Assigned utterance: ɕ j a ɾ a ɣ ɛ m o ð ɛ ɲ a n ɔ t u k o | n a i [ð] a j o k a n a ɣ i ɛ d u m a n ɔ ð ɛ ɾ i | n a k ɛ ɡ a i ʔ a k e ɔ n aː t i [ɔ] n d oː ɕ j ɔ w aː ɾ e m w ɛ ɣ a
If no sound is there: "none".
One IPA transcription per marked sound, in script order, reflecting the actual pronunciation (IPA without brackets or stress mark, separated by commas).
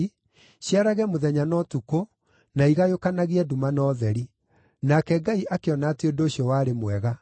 ɣ, o